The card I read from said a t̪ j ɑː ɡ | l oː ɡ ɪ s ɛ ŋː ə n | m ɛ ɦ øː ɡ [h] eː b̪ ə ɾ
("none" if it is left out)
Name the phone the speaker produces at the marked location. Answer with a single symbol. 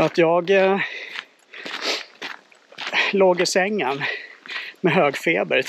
f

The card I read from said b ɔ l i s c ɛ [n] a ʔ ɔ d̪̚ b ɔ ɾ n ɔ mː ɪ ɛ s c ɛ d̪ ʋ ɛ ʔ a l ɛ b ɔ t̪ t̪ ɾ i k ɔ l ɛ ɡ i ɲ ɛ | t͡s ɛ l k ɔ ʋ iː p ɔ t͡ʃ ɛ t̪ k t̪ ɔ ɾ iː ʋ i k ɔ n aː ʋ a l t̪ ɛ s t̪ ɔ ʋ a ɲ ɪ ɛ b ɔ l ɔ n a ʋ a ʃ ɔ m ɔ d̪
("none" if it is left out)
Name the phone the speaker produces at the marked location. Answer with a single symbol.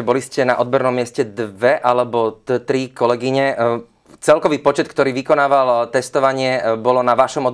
n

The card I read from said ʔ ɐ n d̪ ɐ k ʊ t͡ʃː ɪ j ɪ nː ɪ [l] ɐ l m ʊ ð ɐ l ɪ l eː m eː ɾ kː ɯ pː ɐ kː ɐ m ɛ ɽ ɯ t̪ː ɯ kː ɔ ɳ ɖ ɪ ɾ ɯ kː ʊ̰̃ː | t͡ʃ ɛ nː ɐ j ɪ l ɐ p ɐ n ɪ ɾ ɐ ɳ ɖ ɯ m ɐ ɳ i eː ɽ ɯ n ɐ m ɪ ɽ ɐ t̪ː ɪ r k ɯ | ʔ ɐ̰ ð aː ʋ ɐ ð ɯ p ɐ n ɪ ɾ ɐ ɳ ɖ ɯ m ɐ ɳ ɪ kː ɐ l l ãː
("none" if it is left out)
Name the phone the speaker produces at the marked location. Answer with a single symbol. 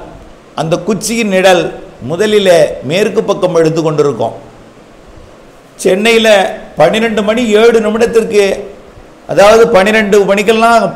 ɽ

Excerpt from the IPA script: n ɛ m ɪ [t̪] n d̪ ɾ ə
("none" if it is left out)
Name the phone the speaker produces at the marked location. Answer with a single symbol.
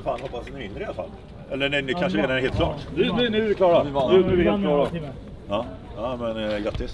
none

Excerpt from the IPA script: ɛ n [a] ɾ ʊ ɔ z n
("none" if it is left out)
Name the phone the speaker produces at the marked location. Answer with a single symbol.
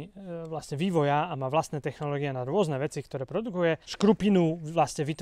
a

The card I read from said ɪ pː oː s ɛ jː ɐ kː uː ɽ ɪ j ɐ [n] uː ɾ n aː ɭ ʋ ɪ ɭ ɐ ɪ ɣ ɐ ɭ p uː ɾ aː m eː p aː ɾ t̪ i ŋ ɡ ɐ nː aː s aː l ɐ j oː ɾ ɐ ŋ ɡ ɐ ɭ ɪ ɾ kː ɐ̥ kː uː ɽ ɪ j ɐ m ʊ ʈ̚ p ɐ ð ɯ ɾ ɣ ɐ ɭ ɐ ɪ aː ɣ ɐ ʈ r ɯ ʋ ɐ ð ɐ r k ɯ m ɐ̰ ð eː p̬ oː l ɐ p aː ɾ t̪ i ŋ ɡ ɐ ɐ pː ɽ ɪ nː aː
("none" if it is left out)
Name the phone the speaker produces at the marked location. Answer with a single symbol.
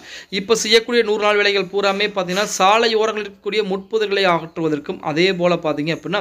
n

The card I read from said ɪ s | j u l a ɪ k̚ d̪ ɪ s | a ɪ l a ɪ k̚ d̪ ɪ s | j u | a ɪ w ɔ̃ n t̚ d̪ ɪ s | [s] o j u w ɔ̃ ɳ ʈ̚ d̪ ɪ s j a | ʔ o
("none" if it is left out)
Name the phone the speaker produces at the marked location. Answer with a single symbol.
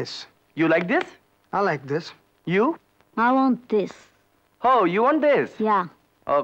h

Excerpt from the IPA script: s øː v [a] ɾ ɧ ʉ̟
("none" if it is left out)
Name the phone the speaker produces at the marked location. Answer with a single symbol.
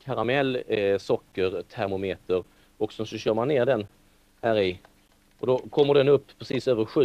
ə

